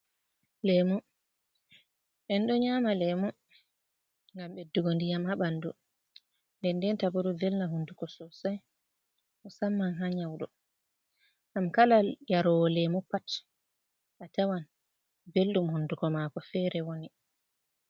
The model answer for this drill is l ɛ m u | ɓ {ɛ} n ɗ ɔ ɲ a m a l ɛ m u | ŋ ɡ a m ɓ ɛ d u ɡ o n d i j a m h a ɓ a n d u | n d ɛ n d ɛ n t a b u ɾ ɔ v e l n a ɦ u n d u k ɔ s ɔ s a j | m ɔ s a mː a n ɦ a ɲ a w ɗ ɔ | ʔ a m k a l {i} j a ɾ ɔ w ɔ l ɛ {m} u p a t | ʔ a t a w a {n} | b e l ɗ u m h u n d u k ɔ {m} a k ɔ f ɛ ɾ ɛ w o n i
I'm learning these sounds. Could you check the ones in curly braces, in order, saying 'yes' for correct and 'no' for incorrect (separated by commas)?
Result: yes, no, yes, yes, yes